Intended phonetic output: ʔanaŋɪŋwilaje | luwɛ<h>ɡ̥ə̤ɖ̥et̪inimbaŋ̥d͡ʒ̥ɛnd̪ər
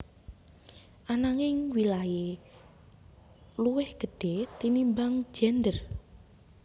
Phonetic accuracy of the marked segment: correct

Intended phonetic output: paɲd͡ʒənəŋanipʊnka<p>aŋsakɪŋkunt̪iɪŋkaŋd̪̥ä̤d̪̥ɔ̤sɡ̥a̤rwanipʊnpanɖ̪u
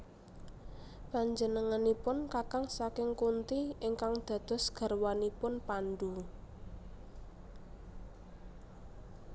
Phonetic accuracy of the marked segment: incorrect: k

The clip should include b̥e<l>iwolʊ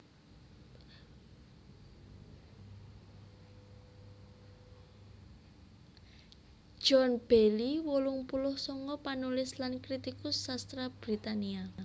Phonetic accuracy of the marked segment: correct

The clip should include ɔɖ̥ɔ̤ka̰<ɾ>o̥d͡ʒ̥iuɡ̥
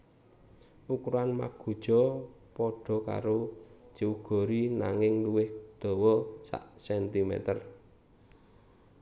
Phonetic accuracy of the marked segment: correct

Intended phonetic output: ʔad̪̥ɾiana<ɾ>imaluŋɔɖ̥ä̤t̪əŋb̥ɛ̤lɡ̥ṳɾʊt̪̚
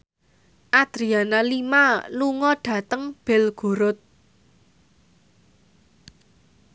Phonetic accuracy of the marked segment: incorrect: l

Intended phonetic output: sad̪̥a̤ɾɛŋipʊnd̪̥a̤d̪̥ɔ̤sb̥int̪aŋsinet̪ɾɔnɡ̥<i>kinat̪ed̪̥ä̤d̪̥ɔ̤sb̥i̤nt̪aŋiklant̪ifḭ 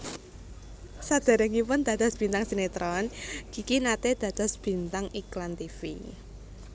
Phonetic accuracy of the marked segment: correct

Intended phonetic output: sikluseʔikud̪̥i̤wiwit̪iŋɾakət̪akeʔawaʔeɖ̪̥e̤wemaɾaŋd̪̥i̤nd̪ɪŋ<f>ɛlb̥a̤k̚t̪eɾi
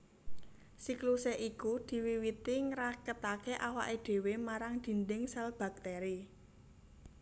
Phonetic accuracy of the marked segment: incorrect: s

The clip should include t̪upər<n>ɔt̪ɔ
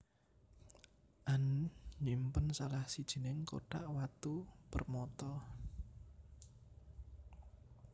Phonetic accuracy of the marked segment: incorrect: m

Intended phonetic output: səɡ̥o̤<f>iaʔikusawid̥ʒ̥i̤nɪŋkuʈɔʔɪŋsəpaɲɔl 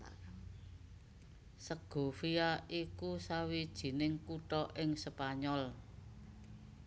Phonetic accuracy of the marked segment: correct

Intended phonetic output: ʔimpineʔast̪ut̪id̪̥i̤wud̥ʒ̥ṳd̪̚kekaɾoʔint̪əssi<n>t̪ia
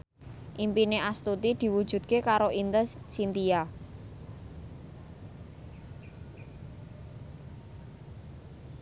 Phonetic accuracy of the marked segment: correct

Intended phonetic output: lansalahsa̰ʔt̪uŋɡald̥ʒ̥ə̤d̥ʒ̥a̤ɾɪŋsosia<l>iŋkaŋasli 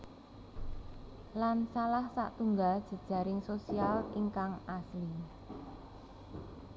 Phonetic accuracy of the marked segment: correct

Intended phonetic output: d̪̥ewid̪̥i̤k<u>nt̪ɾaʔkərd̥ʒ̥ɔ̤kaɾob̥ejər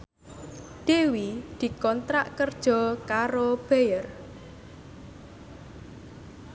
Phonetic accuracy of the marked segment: incorrect: ɔ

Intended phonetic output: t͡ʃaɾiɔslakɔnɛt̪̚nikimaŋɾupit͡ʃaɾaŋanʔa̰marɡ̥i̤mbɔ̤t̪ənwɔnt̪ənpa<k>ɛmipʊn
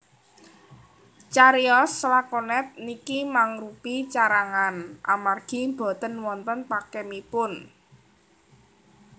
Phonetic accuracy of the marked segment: correct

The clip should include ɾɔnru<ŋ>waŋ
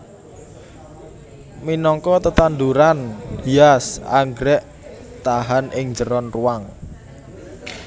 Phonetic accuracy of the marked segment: incorrect: none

